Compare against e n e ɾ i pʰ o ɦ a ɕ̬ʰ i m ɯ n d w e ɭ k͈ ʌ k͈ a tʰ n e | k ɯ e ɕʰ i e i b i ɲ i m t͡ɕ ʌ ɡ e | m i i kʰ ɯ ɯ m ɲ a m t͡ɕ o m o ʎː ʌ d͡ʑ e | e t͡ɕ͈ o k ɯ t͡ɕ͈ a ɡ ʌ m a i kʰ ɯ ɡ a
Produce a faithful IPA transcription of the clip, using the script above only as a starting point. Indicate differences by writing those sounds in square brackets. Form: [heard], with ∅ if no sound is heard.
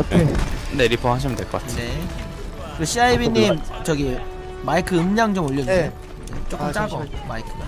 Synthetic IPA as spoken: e n e ɾ i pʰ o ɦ a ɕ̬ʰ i m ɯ n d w e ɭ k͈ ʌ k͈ a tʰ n e | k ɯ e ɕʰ i [a] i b i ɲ i m t͡ɕ ʌ ɡ [i] | m [a] i kʰ ɯ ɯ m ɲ a [ŋ] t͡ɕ o m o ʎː ʌ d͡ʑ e | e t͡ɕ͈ o k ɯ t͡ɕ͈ a ɡ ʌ m a i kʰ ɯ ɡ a

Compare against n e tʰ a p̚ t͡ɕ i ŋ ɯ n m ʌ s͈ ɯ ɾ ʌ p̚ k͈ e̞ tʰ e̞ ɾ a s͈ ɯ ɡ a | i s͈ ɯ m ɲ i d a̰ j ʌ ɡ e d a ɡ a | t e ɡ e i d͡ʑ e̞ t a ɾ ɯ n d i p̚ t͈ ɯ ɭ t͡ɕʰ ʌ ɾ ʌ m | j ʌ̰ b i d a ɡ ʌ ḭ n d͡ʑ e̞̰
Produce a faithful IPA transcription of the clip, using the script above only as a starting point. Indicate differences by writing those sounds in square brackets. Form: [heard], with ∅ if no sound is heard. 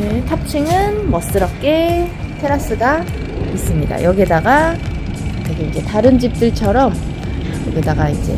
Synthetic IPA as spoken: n e tʰ a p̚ [t͡ɕʰ] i ŋ ɯ n m ʌ s͈ ɯ ɾ ʌ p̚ k͈ e̞ tʰ e̞ ɾ a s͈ ɯ ɡ a | i s͈ ɯ m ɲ i d a̰ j ʌ ɡ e d a ɡ a | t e ɡ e i d͡ʑ e̞ t a ɾ ɯ n [d͡ʑ] i p̚ t͈ ɯ ɭ t͡ɕʰ ʌ ɾ ʌ m | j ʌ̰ [ɡ] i d a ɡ [a] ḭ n d͡ʑ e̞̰

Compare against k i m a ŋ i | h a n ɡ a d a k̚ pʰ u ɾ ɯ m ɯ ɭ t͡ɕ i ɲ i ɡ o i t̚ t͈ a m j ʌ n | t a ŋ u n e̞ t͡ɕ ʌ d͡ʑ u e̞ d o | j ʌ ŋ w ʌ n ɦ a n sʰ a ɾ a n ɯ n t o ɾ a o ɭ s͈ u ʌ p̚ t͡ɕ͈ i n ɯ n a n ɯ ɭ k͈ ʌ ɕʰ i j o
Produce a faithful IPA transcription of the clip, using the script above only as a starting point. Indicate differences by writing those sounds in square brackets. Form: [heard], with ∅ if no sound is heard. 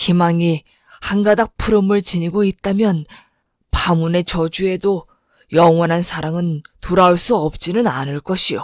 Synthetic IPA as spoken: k i m a ŋ i | h a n ɡ a d a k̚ pʰ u ɾ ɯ m ɯ ɭ t͡ɕ i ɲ i ɡ o i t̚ t͈ a m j ʌ n | [p] a [m] u n e̞ t͡ɕ ʌ d͡ʑ u e̞ d o | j ʌ ŋ w ʌ n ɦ a n sʰ a ɾ a [ŋ] ɯ n t o ɾ a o ɭ s͈ u ʌ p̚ t͡ɕ͈ i n ɯ n a n ɯ ɭ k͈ ʌ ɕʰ i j o

